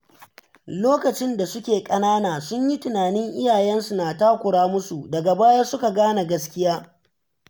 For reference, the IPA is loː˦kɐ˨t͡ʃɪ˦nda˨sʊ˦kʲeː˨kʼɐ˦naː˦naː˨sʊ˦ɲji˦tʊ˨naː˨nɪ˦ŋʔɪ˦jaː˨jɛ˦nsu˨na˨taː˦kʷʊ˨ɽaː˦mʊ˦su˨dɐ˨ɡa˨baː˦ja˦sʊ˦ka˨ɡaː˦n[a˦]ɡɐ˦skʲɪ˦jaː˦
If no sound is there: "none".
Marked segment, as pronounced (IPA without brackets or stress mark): a˨